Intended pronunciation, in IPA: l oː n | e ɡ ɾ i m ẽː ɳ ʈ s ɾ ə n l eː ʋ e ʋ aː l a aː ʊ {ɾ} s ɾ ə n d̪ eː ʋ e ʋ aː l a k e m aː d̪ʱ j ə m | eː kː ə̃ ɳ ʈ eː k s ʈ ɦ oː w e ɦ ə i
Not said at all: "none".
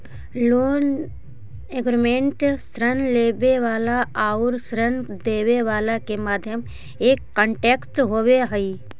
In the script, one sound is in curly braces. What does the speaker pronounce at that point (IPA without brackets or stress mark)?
ɾ